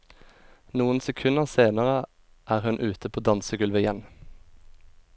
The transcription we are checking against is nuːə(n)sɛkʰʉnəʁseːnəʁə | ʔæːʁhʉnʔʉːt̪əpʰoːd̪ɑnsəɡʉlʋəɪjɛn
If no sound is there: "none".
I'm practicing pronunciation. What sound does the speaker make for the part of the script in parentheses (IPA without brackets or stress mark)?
n